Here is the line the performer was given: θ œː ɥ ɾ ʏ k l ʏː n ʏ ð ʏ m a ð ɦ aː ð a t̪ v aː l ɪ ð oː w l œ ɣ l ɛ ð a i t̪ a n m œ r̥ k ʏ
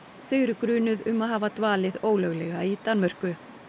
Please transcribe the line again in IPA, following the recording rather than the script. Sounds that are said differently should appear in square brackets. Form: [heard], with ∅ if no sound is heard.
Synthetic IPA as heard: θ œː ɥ ɾ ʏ k [ɾ] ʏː n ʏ ð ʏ m a ð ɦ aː [v] a t̪ v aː l ɪ ð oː w l œ ɣ l ɛ [ɣ] a i t̪ a n m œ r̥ k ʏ